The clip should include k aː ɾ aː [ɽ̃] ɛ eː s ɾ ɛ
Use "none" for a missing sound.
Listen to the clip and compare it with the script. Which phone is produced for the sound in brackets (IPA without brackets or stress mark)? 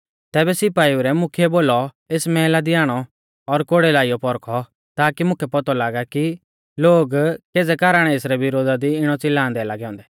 ɽ̃